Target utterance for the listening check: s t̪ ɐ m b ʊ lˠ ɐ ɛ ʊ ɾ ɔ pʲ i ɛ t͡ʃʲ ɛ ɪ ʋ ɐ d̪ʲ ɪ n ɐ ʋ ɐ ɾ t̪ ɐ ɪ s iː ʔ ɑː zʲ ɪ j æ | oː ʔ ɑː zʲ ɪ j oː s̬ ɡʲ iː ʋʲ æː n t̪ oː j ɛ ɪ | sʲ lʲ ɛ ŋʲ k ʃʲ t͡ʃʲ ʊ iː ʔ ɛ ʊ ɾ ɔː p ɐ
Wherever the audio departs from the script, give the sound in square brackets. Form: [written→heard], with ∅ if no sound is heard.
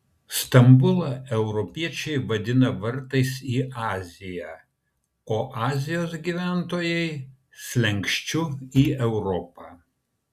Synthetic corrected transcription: s t̪ ɐ m b ʊ lˠ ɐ ɛ ʊ ɾ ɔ pʲ i ɛ t͡ʃʲ ɛ ɪ ʋ ɐ d̪ʲ ɪ n ɐ ʋ ɐ ɾ t̪ ɐ ɪ s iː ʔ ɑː zʲ ɪ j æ | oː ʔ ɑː zʲ ɪ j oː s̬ ɡʲ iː ʋʲ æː n t̪ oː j ɛ ɪ | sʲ lʲ ɛ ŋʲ k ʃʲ t͡ʃʲ ʊ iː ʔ ɛ ʊ ɾ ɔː p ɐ

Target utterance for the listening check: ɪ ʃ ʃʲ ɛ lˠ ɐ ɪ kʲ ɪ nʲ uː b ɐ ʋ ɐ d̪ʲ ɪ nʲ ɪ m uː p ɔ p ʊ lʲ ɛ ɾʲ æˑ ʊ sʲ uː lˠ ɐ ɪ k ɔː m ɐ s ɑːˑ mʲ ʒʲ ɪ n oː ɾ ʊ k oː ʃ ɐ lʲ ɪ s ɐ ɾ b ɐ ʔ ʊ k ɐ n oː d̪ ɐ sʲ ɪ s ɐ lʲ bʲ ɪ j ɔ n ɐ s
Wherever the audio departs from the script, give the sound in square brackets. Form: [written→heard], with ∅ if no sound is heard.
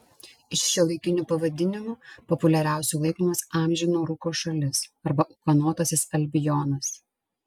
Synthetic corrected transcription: ɪ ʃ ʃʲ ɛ lˠ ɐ ɪ kʲ ɪ nʲ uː [b→p] ɐ ʋ ɐ d̪ʲ ɪ nʲ ɪ m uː p ɔ p ʊ lʲ ɛ ɾʲ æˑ ʊ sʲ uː lˠ ɐ ɪ k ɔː m ɐ s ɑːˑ mʲ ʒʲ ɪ n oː ɾ ʊ k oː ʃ ɐ lʲ ɪ s ɐ ɾ b ɐ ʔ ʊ k ɐ n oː [d̪→t̪] ɐ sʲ ɪ s ɐ lʲ bʲ ɪ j ɔ n ɐ s

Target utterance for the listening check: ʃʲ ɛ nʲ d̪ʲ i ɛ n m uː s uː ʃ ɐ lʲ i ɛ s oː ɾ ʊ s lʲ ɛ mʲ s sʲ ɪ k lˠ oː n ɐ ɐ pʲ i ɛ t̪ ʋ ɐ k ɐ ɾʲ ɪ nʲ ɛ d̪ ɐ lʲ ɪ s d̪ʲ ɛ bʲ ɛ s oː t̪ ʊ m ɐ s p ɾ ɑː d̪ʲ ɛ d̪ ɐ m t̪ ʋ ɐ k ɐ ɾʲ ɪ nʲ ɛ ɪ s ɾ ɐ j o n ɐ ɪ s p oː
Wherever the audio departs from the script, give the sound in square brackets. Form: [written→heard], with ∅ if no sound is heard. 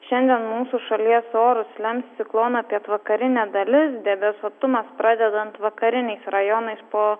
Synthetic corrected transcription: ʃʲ ɛ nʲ d̪ʲ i ɛ n m uː s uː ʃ ɐ lʲ i ɛ s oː ɾ ʊ s lʲ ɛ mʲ s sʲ ɪ k lˠ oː n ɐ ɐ pʲ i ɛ t̪ ʋ ɐ k ɐ ɾʲ ɪ nʲ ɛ d̪ ɐ lʲ ɪ s d̪ʲ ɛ bʲ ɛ s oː t̪ ʊ m ɐ s p ɾ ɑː d̪ʲ ɛ d̪ ɐ [m→n] t̪ ʋ ɐ k ɐ ɾʲ ɪ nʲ ɛ ɪ s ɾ ɐ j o n ɐ ɪ s p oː

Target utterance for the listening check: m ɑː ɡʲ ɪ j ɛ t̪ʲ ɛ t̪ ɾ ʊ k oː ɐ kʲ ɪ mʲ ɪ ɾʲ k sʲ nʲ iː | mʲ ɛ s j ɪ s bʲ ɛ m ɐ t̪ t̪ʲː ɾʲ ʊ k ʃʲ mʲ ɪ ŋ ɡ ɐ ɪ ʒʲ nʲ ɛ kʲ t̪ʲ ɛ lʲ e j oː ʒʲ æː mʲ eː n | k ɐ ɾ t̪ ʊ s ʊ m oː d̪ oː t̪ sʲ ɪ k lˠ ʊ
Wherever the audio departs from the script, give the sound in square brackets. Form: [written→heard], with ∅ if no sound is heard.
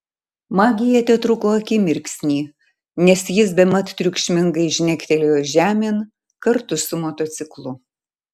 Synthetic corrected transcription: m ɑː ɡʲ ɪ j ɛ t̪ʲ ɛ t̪ ɾ ʊ k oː ɐ kʲ ɪ mʲ ɪ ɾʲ k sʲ nʲ iː | [mʲ→nʲ] ɛ s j ɪ s bʲ ɛ m ɐ t̪ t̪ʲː ɾʲ ʊ k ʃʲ mʲ ɪ ŋ ɡ ɐ ɪ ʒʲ nʲ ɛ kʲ t̪ʲ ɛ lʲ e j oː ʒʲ æː mʲ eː n | k ɐ ɾ t̪ ʊ s ʊ m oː [d̪→t̪] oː t̪ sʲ ɪ k lˠ ʊ

